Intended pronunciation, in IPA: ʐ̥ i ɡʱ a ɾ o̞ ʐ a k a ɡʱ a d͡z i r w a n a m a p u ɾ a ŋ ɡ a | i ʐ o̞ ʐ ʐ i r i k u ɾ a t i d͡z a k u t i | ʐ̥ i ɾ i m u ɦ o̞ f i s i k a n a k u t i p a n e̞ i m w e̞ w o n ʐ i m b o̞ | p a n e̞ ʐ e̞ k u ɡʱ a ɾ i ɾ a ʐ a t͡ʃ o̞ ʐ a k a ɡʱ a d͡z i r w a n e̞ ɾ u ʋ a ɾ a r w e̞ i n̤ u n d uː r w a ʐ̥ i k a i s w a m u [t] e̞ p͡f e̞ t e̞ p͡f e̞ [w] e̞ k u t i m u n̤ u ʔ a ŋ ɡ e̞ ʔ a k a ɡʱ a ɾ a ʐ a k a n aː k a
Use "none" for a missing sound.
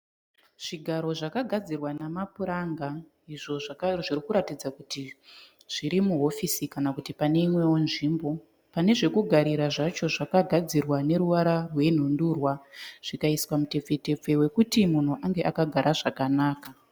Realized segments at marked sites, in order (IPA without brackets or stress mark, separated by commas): t, w